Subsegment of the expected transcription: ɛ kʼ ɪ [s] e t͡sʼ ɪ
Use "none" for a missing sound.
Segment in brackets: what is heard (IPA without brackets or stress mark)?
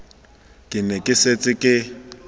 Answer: s